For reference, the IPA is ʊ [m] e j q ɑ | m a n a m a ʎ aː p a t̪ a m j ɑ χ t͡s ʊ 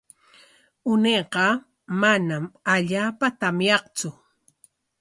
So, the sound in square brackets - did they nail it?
no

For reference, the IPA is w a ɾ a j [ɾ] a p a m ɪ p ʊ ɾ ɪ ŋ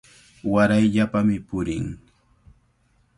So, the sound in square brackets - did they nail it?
no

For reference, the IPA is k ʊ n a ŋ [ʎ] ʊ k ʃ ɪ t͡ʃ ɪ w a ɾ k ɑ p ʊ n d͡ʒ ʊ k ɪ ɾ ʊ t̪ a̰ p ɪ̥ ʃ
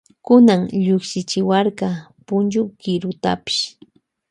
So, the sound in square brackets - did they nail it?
yes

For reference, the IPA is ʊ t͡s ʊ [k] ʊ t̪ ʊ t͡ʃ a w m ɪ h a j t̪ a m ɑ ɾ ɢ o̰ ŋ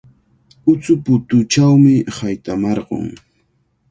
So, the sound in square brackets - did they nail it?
no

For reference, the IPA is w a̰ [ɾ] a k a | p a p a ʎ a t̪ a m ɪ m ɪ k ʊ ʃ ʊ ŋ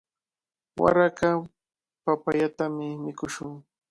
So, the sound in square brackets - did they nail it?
yes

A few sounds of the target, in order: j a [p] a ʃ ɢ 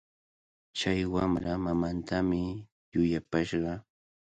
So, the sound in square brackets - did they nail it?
yes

